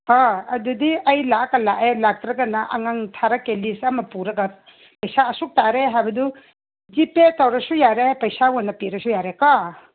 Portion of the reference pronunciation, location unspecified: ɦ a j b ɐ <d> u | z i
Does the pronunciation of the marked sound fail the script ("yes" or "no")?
no